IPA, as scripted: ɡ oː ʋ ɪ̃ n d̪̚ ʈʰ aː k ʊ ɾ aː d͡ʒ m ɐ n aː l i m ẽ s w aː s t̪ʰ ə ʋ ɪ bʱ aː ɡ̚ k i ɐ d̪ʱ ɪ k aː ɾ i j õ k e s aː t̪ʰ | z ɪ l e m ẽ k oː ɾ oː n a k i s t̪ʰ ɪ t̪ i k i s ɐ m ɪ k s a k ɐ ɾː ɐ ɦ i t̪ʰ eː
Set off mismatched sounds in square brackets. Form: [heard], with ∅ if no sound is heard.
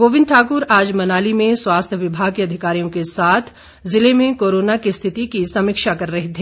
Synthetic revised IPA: ɡ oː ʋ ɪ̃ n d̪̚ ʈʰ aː k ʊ ɾ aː d͡ʒ m ɐ n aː l i m ẽ s w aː s t̪ʰ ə ʋ ɪ bʱ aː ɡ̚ k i ɐ d̪ʱ ɪ k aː ɾ i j õ k e s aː t̪ʰ | z ɪ l e m ẽ k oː ɾ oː n a k i s t̪ʰ ɪ t̪ i k i s ɐ m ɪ k [ʃ] a k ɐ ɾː ɐ ɦ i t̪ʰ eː